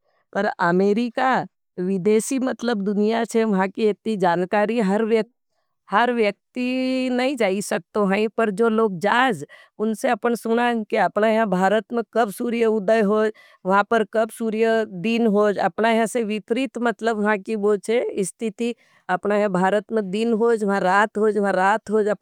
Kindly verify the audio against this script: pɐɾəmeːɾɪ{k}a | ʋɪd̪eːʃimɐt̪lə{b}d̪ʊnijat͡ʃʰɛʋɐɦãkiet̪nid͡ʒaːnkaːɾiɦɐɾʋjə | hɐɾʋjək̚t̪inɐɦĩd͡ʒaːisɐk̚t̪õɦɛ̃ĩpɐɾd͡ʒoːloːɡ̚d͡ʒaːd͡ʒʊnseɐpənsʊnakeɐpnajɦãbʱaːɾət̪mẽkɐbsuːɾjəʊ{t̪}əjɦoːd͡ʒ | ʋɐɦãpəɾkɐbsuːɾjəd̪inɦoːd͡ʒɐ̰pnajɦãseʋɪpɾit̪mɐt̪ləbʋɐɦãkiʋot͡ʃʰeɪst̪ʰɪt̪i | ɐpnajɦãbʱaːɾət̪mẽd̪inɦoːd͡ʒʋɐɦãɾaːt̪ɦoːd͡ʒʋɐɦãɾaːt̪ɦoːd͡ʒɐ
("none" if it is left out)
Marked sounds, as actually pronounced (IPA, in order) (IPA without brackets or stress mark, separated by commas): k, b, d̪